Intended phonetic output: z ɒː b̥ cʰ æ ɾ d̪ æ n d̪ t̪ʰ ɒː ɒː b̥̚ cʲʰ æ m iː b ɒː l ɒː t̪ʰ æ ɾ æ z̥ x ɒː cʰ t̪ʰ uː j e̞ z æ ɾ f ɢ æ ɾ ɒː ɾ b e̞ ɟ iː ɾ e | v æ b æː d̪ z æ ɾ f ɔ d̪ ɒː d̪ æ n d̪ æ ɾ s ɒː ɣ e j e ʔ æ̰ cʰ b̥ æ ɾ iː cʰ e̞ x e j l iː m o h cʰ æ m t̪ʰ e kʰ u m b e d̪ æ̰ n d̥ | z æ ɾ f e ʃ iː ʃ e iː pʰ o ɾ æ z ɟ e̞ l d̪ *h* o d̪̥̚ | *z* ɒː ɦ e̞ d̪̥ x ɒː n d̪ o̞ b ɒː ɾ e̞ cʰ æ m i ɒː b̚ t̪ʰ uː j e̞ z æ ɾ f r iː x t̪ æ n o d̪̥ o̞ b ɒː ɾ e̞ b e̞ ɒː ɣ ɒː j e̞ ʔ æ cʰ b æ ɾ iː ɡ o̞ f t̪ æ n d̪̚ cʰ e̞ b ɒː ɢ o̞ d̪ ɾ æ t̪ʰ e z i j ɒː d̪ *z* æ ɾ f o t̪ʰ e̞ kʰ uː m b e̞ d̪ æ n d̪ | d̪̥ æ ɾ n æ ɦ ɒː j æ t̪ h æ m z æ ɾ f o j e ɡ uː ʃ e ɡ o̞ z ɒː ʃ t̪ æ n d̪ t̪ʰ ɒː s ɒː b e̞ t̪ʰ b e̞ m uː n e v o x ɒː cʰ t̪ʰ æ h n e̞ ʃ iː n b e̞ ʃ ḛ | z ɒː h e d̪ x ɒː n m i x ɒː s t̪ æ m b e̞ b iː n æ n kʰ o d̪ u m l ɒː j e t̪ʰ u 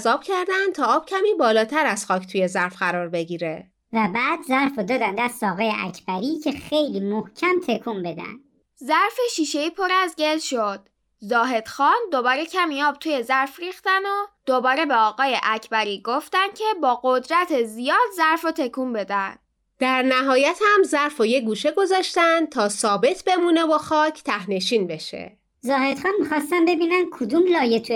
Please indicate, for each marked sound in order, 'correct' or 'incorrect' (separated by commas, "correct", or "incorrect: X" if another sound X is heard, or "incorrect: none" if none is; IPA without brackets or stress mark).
incorrect: ʃ, correct, correct